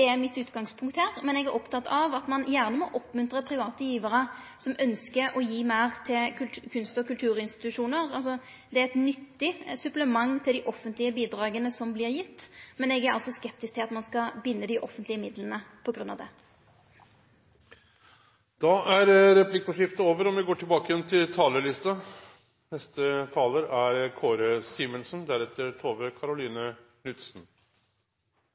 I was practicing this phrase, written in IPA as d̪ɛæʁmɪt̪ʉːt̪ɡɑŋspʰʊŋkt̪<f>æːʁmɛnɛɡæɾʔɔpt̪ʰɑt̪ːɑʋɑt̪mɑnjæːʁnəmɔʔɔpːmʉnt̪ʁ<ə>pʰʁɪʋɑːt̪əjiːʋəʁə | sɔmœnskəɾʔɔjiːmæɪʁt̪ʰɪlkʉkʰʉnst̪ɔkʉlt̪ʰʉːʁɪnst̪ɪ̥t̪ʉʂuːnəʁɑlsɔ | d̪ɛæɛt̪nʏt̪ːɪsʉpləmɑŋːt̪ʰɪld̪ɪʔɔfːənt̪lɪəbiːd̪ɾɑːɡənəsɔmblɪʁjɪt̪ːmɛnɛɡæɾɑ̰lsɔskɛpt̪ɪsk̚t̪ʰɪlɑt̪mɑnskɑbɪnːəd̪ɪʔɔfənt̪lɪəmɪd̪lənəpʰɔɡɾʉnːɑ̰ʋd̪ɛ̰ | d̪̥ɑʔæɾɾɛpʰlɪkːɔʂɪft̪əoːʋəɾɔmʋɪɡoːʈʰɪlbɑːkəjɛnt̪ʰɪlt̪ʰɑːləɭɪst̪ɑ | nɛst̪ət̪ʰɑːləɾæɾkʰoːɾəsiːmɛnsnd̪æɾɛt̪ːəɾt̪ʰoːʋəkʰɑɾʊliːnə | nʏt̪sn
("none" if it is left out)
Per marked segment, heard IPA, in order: h, ə

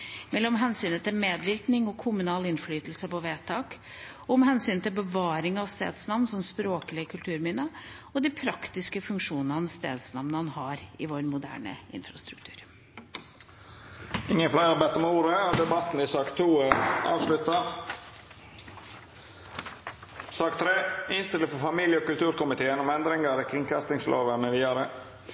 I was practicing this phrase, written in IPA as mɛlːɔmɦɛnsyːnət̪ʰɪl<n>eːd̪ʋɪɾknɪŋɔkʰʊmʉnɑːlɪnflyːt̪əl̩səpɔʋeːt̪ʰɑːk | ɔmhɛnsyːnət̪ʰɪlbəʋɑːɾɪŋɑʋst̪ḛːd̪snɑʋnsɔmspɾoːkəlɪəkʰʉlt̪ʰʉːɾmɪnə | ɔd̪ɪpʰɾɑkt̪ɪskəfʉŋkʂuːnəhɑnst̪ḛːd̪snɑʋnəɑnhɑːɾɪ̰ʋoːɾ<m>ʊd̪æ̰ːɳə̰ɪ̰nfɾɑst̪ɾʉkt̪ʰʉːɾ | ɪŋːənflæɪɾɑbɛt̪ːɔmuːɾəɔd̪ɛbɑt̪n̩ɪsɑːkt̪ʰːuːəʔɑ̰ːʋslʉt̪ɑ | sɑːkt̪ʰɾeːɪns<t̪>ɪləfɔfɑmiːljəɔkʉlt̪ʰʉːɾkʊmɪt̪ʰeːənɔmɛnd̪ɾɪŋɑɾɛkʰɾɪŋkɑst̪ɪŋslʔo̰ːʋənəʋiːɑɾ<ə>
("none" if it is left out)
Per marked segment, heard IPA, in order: m, m, t̪, ə

